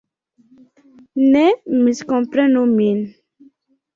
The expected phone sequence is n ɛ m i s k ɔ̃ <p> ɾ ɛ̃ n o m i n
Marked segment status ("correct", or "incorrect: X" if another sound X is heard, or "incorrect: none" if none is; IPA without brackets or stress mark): correct